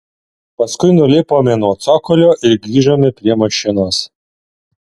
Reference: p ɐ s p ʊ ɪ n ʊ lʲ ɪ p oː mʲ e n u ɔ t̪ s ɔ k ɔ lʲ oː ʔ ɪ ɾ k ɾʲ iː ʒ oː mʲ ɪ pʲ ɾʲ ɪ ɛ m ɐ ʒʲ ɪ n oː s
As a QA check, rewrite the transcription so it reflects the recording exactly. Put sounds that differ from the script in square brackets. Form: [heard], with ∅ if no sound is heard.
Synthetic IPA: p ɐ s [k] ʊ ɪ n ʊ lʲ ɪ p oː mʲ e n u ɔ t̪ s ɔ k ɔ lʲ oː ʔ ɪ ɾ [ɡ] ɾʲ iː ʒ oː mʲ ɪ pʲ ɾʲ [i] ɛ m ɐ [ʃʲ] ɪ n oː s

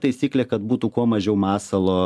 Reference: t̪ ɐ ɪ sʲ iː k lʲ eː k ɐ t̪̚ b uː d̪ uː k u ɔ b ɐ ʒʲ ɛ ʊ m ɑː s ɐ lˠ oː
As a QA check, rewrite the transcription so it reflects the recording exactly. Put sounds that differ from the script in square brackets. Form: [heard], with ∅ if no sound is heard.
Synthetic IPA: t̪ ɐ ɪ sʲ iː k lʲ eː k ɐ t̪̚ b uː [t̪] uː k u ɔ [m] ɐ ʒʲ ɛ ʊ m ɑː s ɐ lˠ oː

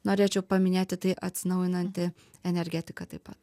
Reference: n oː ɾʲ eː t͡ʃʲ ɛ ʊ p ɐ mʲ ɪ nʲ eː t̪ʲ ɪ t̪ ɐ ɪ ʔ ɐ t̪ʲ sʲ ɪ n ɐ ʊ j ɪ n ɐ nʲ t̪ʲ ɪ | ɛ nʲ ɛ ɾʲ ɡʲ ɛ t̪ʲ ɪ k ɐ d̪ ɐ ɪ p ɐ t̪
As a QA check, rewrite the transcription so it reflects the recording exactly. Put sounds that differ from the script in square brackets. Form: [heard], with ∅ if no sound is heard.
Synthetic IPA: n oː ɾʲ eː t͡ʃʲ ɛ ʊ p ɐ mʲ ɪ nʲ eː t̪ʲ ɪ t̪ ɐ ɪ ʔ ɐ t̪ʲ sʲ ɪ n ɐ ʊ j ɪ n ɐ nʲ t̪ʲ ɪ | ɛ nʲ ɛ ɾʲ ɡʲ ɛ t̪ʲ ɪ k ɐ [t̪] ɐ ɪ p ɐ t̪

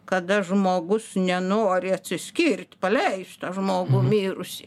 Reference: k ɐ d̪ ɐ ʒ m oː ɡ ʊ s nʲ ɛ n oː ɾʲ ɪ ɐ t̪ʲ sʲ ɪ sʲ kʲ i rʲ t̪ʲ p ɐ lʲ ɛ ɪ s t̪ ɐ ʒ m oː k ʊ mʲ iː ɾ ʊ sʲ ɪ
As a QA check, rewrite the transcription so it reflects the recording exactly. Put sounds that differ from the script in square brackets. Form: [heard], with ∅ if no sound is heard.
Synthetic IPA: k ɐ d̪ ɐ ʒ m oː ɡ ʊ s nʲ ɛ n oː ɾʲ ɪ ɐ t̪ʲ sʲ ɪ sʲ kʲ i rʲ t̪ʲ p ɐ lʲ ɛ ɪ s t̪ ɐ ʒ m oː [ɡ] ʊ mʲ iː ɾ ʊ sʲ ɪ

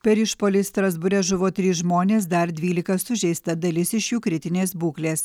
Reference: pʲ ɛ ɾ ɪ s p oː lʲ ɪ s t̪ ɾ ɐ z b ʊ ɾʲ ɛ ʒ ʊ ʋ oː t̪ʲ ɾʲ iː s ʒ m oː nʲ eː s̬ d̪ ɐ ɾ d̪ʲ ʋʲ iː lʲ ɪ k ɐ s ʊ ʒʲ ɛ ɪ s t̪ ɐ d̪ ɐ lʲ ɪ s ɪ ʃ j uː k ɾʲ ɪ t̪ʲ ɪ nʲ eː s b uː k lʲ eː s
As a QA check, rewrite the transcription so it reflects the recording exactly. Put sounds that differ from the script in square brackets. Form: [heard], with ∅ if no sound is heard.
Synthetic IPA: pʲ ɛ ɾ ɪ [ʃ] p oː lʲ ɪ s t̪ ɾ ɐ z b ʊ ɾʲ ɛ ʒ ʊ ʋ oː t̪ʲ ɾʲ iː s ʒ m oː nʲ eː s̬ d̪ ɐ ɾ d̪ʲ ʋʲ iː lʲ ɪ k ɐ s ʊ ʒʲ ɛ ɪ s t̪ ɐ d̪ ɐ lʲ ɪ s ɪ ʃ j uː k ɾʲ ɪ t̪ʲ ɪ nʲ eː s b uː k lʲ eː s

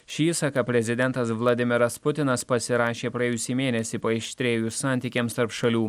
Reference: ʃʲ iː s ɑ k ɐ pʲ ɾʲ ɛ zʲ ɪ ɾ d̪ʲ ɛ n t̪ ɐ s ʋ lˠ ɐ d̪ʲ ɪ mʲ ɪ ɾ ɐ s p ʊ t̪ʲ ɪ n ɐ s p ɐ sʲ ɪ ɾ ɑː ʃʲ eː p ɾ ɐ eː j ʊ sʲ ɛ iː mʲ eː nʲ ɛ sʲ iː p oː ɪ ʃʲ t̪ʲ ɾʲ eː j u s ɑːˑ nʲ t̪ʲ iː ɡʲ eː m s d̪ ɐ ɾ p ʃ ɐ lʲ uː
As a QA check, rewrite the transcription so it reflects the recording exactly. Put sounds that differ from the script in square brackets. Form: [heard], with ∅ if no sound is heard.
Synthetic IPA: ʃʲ iː s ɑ k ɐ pʲ ɾʲ ɛ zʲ ɪ [∅] d̪ʲ ɛ n t̪ ɐ s ʋ lˠ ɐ d̪ʲ ɪ mʲ ɪ ɾ ɐ s p ʊ t̪ʲ ɪ n ɐ s p ɐ sʲ ɪ ɾ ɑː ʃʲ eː p ɾ ɐ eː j ʊ sʲ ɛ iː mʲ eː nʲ ɛ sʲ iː p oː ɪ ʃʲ t̪ʲ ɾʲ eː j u s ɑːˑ nʲ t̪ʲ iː [kʲ] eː m s [t̪] ɐ ɾ p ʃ ɐ lʲ uː

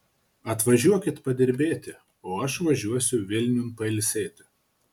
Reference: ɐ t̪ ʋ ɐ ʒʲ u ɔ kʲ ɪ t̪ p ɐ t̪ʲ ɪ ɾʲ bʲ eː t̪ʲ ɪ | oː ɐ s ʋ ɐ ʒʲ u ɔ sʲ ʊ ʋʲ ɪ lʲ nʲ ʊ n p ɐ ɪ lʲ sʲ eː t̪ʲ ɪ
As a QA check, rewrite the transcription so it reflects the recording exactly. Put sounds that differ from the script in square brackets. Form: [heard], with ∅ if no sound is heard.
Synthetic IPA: ɐ t̪ ʋ ɐ ʒʲ u ɔ kʲ ɪ t̪ p ɐ [d̪ʲ] ɪ ɾʲ bʲ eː t̪ʲ ɪ | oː ɐ [ʃ] ʋ ɐ ʒʲ u ɔ sʲ ʊ ʋʲ ɪ lʲ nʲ ʊ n p ɐ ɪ lʲ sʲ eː t̪ʲ ɪ

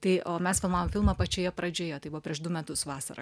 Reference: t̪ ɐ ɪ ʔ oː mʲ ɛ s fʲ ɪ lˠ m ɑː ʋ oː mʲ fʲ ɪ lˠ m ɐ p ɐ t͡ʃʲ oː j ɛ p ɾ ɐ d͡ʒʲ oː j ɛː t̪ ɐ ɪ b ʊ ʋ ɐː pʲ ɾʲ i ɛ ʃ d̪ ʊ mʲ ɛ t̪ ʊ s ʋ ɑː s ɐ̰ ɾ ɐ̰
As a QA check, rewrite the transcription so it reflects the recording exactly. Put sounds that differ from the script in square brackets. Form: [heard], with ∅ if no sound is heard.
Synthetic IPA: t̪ ɐ ɪ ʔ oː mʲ ɛ s fʲ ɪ lˠ m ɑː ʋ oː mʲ fʲ ɪ lˠ m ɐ p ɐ t͡ʃʲ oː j ɛ p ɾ ɐ d͡ʒʲ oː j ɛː t̪ ɐ ɪ b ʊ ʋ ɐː pʲ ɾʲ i ɛ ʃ d̪ ʊ mʲ ɛ t̪ ʊ s ʋ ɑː s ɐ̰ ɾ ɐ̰

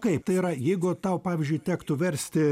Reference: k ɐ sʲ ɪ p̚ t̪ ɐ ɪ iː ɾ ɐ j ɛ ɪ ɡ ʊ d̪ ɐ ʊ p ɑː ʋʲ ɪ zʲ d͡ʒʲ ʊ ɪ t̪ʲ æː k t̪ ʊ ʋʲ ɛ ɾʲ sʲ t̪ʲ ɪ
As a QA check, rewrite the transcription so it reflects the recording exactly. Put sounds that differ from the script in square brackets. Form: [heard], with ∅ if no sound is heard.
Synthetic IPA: k ɐ [∅] ɪ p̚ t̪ ɐ ɪ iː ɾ ɐ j ɛ ɪ ɡ ʊ [t̪] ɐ ʊ p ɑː ʋʲ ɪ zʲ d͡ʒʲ ʊ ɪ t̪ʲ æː k t̪ ʊ ʋʲ ɛ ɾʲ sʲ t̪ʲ ɪ

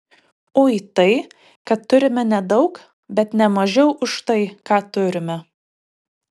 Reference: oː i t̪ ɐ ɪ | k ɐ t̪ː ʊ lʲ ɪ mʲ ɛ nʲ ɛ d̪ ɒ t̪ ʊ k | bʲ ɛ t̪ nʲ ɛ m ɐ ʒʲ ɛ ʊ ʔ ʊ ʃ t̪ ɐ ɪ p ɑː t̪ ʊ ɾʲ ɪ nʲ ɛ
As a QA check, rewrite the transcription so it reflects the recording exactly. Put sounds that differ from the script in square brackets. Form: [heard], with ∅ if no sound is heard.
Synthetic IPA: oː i t̪ ɐ ɪ | k ɐ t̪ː ʊ [ɾʲ] ɪ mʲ ɛ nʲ ɛ d̪ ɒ [∅] ʊ k | bʲ ɛ t̪ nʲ ɛ m ɐ ʒʲ ɛ ʊ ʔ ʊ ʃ t̪ ɐ ɪ [k] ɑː t̪ ʊ ɾʲ ɪ [mʲ] ɛ

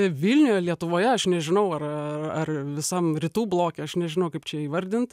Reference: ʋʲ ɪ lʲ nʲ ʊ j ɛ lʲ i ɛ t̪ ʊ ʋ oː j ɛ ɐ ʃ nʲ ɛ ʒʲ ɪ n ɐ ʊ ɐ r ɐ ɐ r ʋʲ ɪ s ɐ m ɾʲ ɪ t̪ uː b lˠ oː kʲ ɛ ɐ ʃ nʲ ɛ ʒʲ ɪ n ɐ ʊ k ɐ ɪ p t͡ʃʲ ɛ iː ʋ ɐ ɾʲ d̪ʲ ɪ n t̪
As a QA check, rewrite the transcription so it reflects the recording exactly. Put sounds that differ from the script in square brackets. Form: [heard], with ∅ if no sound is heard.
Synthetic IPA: ʋʲ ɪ lʲ nʲ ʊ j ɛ lʲ i ɛ t̪ ʊ ʋ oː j ɛ ɐ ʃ nʲ ɛ ʒʲ ɪ n ɐ ʊ ɐ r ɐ ɐ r ʋʲ ɪ s ɐ m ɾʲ ɪ t̪ uː b lˠ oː kʲ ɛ ɐ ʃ nʲ ɛ ʒʲ ɪ n ɐ ʊ k ɐ ɪ p t͡ʃʲ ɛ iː ʋ ɐ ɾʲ d̪ʲ ɪ n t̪

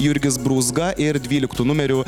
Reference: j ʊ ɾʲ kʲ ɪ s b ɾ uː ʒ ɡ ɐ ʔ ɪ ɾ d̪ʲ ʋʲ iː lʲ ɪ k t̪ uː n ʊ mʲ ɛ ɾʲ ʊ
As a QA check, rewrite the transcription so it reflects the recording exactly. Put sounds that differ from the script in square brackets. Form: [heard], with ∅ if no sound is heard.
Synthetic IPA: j ʊ ɾʲ [ɡʲ] ɪ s b ɾ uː [z] ɡ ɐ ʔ ɪ ɾ d̪ʲ ʋʲ iː lʲ ɪ k t̪ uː n ʊ mʲ ɛ ɾʲ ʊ

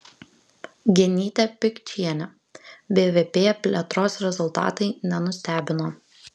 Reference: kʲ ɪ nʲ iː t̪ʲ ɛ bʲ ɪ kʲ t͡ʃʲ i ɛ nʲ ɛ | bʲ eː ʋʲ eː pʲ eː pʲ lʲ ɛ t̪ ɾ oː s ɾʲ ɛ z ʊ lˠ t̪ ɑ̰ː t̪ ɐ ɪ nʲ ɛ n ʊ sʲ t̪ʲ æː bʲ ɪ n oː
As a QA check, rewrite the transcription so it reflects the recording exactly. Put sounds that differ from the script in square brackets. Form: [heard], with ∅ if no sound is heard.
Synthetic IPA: [ɡʲ] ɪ nʲ iː t̪ʲ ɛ [pʲ] ɪ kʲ t͡ʃʲ i ɛ nʲ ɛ | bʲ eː ʋʲ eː pʲ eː pʲ lʲ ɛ t̪ ɾ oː s ɾʲ ɛ z ʊ lˠ t̪ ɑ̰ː t̪ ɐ ɪ nʲ ɛ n ʊ sʲ t̪ʲ æː bʲ ɪ n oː

